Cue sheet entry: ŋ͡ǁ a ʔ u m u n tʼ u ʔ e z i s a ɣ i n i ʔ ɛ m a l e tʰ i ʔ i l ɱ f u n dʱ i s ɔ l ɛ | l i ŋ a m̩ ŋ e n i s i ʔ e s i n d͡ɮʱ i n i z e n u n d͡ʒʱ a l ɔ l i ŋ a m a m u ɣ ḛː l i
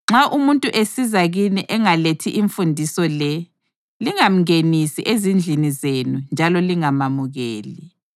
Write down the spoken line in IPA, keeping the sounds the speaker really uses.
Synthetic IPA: ŋ͡ǁ a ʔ u m u n tʼ u ʔ e s i z a ɣ i n i ʔ ɛ ŋ a l e tʰ i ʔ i ɱ f u n dʱ i s ɔ l ɛ | l i ŋ a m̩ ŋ e n i s i ʔ e z i n d͡ɮʱ i n i z e n u n d͡ʒʱ a l ɔ l i ŋ a m a m u ɣ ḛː l i